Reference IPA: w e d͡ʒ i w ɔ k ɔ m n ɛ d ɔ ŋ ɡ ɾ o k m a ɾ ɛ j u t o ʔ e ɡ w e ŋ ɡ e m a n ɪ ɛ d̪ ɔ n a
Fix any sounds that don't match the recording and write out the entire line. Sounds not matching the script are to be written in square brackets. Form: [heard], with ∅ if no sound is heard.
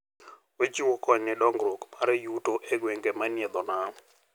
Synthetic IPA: w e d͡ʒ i w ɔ k ɔ [ɲ] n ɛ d ɔ ŋ ɡ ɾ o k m a ɾ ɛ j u t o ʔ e ɡ w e ŋ ɡ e m a n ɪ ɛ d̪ ɔ n a